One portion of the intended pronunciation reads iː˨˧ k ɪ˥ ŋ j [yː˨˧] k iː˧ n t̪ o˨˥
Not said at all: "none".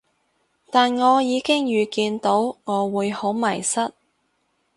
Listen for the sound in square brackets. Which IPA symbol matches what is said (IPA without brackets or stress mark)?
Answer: yː˨˧